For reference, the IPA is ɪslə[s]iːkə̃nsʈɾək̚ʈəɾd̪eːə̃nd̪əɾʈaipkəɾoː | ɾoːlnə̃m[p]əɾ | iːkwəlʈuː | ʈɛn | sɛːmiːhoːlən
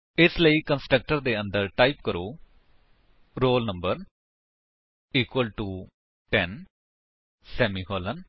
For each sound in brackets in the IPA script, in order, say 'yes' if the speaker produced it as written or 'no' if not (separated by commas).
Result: no, no